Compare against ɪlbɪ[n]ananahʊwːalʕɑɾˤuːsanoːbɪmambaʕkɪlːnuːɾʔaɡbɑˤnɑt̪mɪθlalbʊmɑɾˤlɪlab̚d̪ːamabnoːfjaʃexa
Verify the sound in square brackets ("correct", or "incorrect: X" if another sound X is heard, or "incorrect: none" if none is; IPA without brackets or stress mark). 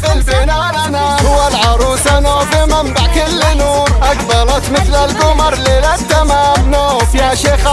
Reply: correct